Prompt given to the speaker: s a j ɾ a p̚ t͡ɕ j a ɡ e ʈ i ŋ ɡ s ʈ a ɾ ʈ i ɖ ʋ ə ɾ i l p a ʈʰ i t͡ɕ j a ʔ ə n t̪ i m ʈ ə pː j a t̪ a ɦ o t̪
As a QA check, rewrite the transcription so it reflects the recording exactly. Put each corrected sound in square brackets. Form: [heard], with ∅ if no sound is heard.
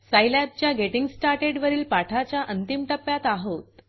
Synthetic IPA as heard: s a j [l] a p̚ t͡ɕ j a ɡ e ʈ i ŋ ɡ s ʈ a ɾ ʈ [e] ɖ ʋ ə ɾ [iː] l p a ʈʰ [a] t͡ɕ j a ʔ ə n t̪ i m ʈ ə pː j a t̪ a ɦ o t̪